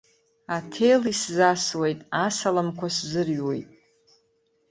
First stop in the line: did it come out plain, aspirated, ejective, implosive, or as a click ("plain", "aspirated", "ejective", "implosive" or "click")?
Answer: aspirated